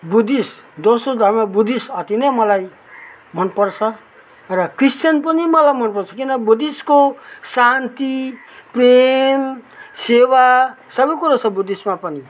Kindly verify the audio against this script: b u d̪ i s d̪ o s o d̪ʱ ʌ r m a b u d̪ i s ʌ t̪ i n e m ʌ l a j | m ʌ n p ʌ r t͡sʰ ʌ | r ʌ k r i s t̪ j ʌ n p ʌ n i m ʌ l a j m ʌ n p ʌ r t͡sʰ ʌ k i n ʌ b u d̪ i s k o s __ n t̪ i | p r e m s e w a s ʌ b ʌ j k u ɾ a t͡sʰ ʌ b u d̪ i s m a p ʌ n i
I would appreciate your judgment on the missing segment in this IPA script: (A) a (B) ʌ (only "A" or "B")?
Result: A